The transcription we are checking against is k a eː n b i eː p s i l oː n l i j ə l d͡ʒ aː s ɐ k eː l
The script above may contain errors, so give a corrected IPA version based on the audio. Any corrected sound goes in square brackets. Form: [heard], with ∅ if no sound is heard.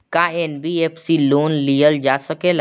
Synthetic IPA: k a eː n b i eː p s i l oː n l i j ə l d͡ʒ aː s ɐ k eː l

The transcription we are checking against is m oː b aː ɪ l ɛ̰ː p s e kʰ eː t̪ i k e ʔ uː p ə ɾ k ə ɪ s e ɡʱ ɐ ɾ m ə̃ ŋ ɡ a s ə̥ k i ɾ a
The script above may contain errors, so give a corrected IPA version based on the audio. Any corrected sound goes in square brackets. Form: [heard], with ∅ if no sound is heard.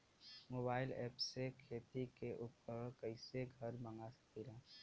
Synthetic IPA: m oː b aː ɪ l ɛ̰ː p s e kʰ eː t̪ i k e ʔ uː p ə ɾ k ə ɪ s e ɡʱ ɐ ɾ m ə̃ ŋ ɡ a s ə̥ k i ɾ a

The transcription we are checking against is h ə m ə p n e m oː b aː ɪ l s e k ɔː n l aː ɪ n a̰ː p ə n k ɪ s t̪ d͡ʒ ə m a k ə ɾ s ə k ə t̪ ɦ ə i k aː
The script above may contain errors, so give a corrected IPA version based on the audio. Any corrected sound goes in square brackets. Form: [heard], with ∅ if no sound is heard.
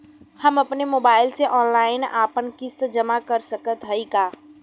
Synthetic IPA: h ə m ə p n e m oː b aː ɪ l s e [ʔ] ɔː n l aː ɪ n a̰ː p ə n k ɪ s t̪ d͡ʒ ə m a k ə ɾ s ə k ə t̪ ɦ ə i k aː

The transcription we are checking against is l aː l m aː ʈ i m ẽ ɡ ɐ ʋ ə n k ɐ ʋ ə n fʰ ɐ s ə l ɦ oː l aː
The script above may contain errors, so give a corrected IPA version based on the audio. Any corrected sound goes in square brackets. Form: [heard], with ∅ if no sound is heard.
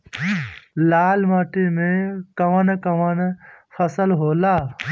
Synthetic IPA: l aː l m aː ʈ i m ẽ [k] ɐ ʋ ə n k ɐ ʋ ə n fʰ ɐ s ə l ɦ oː l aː

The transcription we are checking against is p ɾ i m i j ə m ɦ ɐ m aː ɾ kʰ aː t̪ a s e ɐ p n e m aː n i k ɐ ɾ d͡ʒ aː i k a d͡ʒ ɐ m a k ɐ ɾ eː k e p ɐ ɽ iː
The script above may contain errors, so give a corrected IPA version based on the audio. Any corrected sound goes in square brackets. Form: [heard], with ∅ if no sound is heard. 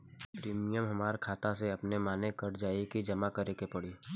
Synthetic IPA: p ɾ [iː] m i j ə m ɦ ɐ m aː ɾ kʰ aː t̪ a s e ɐ p n e m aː n [e] k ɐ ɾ d͡ʒ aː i k [i] d͡ʒ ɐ m a k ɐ ɾ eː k e p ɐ ɽ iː

